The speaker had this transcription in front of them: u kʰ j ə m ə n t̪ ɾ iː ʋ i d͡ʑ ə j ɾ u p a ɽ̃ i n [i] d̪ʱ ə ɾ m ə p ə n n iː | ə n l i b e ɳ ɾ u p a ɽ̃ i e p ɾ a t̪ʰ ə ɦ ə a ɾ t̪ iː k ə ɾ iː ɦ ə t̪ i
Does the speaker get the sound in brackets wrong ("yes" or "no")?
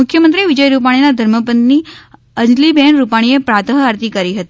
yes